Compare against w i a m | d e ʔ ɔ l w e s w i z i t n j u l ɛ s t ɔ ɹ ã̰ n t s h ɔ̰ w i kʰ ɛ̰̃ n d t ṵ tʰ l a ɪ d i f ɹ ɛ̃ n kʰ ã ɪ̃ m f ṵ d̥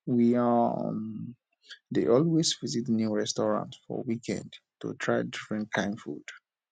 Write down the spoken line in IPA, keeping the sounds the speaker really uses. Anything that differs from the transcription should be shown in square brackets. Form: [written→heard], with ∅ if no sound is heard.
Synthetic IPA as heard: w i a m | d e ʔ ɔ l w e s [w→v] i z i t n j u [l→ɹ] ɛ s t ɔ ɹ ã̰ n t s [h→f] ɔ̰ w i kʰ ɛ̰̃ n d t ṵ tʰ [l→ɹ] a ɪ d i f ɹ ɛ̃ n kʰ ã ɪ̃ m f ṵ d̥

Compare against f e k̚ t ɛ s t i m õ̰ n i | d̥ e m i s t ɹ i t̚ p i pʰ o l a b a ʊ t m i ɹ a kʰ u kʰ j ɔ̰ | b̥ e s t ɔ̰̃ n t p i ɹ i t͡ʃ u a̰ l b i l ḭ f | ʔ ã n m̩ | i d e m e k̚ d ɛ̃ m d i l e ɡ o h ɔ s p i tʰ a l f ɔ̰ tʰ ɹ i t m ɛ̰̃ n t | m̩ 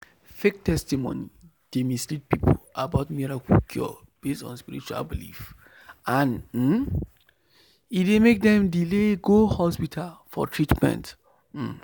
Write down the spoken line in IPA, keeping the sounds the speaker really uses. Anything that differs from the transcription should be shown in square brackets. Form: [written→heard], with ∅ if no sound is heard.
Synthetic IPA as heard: f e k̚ t ɛ s t i m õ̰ n i | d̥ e m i s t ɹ i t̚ p i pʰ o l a b a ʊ t m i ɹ a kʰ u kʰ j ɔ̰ | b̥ e s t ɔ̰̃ n [t→s] p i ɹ i t͡ʃ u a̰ l b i l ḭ f | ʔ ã n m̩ | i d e m e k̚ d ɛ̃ m d i l e ɡ o h ɔ s p i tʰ a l f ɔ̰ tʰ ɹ i t m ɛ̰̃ n t | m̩

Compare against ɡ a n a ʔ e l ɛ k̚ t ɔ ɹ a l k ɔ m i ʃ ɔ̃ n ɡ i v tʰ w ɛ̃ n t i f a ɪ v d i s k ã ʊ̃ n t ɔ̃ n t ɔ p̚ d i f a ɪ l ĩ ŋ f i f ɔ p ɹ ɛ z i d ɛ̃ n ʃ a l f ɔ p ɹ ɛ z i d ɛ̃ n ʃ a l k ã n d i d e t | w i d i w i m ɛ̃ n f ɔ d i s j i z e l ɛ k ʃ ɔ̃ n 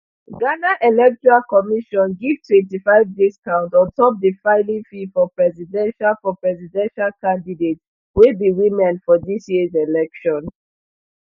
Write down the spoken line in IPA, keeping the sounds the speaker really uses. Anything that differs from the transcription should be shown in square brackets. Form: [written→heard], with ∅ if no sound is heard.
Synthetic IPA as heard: ɡ a n a ʔ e l ɛ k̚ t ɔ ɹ a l k ɔ m i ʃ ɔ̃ n ɡ i v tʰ w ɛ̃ n t i f a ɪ v d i s k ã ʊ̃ n t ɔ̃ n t ɔ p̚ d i f a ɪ l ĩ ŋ f i f ɔ p ɹ ɛ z i d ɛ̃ n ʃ a l f ɔ p ɹ ɛ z i d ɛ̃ n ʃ a l k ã n d i d e t | w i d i w i m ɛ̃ n f ɔ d i s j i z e l ɛ k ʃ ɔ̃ n

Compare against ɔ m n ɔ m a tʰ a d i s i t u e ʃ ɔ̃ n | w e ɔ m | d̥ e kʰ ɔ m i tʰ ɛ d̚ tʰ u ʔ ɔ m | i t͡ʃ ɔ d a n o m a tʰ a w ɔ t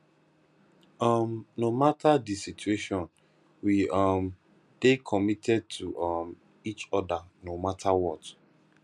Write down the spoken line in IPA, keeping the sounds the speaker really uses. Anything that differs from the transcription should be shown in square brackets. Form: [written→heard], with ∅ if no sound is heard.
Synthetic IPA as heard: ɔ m n [ɔ→o] m a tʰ a d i s i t u e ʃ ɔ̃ n | w [e→i] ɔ m | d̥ e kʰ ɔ m i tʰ ɛ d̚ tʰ u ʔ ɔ m | i t͡ʃ ɔ d a n o m a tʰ a w ɔ t

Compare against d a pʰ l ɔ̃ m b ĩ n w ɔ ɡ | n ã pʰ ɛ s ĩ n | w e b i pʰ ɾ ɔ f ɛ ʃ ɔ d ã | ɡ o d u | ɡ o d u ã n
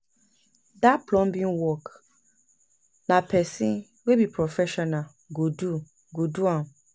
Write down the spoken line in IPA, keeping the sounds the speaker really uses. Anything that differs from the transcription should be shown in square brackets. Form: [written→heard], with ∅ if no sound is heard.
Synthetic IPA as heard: d a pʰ l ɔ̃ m b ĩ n w ɔ [ɡ→k] | n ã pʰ ɛ s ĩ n | w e b i pʰ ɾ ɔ f ɛ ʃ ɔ [d→n] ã | ɡ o d u | ɡ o d u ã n

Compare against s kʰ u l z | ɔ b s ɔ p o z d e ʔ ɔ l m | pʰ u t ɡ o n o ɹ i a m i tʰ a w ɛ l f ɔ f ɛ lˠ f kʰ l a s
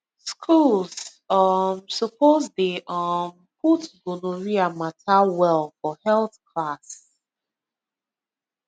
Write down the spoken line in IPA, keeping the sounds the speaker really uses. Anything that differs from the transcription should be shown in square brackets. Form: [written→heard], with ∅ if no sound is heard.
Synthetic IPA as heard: s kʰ u l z | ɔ [b→m] s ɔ p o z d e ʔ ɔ [l→∅] m | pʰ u t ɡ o n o ɹ i a m [i→a] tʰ a w ɛ l f ɔ [f→h] ɛ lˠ [f→θ] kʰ l a s

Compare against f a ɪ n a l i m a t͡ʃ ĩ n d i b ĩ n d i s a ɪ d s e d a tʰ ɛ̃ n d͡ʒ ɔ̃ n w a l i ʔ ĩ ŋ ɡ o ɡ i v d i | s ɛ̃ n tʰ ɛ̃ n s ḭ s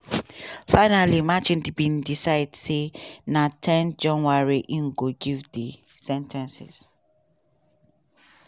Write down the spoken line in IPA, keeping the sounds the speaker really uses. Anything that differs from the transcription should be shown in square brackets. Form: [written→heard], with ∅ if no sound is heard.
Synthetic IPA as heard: f a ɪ n a l i m a t͡ʃ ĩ n d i b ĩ n d i s a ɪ d s e [d→n] a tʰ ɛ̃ n d͡ʒ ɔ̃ n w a [l→ɹ] i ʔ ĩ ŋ ɡ o ɡ i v d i | s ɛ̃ n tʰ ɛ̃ n s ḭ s

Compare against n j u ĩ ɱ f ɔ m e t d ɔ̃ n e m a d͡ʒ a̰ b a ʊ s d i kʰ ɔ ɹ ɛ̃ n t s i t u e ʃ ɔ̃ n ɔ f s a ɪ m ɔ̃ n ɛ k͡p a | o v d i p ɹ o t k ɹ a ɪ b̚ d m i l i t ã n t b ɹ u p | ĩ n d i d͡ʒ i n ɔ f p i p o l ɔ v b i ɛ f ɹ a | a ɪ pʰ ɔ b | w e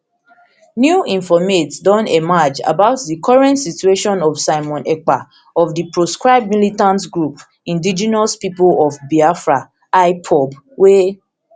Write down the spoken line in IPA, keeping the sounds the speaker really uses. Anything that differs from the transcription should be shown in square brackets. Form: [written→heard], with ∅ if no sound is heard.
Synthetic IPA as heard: n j u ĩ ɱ f ɔ m e t d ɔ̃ n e m a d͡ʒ a̰ b a ʊ [s→t] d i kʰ ɔ ɹ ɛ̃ n t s i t u e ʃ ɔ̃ n ɔ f s a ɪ m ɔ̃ n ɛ k͡p a | [o→ɔ] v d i p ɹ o [t→s] k ɹ a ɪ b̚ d m i l i t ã n t [b→ɡ] ɹ u p | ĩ n d i d͡ʒ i n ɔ [f→s] p i p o l ɔ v b i [ɛ→a] f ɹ a | a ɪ pʰ ɔ b | w e

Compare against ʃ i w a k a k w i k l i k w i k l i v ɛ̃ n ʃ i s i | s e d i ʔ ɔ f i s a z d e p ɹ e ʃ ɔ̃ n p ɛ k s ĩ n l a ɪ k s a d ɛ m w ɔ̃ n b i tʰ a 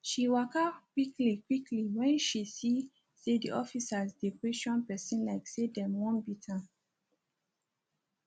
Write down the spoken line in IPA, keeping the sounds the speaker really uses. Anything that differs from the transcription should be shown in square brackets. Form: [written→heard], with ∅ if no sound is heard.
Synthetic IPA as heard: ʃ i w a k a k w i k l i k w i k l i [v→w] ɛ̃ n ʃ i s i | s e d i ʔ ɔ f i s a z d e p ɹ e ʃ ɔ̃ n p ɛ [k→∅] s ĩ n l a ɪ k s [a→e] d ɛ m w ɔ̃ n b i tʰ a

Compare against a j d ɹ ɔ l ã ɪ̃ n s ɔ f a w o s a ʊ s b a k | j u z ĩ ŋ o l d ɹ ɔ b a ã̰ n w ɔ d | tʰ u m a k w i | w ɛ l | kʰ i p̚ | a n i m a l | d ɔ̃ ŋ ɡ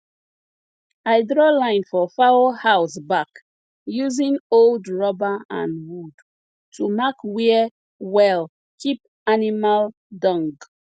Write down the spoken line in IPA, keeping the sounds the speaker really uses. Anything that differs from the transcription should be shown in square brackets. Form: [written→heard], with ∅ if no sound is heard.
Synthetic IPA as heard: a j d ɹ ɔ l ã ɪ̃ n [s→f] ɔ f a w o [s→h] a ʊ s b a k | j u z ĩ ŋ o l d ɹ ɔ b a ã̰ n w [ɔ→u] d | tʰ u m a k w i | w ɛ l | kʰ i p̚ | a n i m a l | d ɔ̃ ŋ ɡ

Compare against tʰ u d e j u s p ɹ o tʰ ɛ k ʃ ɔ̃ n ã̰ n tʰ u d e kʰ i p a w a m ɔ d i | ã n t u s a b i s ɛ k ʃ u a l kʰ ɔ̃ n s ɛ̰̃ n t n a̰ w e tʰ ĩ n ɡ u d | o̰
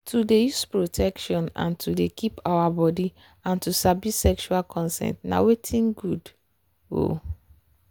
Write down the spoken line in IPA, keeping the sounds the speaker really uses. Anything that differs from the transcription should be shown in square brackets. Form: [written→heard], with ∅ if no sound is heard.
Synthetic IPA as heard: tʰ u d e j u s p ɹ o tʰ ɛ k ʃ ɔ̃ n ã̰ n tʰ u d e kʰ i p a w a [m→b] ɔ d i | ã n t u s a b i s ɛ k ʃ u a l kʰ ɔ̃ n s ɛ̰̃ n t n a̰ w e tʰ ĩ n ɡ u d | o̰

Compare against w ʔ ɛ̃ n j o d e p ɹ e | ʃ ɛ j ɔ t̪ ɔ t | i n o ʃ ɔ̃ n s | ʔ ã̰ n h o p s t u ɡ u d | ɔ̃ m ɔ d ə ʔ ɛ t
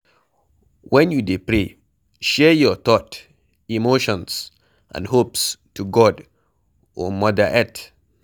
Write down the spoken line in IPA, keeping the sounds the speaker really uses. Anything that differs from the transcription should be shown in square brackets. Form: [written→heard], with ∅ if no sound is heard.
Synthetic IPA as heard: w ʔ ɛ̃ n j [o→u] d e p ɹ e | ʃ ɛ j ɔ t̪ ɔ t | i [n→m] o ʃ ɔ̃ n s | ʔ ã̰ n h o p s t u ɡ [u→ɔ] d | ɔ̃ m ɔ d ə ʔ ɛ t

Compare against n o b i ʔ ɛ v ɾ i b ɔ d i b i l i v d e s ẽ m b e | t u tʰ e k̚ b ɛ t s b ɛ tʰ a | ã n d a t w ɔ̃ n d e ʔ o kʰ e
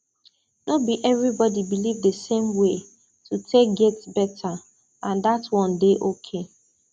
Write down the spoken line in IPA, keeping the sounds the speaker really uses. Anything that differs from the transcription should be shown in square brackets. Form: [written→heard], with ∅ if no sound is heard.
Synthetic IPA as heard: n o b i ʔ ɛ v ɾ i b ɔ d i b i l i v d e s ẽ m [b→w] e | t u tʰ e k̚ [b→ɡ] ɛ t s b ɛ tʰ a | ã n d a t w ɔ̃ n d e ʔ o kʰ e

